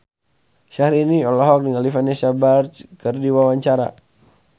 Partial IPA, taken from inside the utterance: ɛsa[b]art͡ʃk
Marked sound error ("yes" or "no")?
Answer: no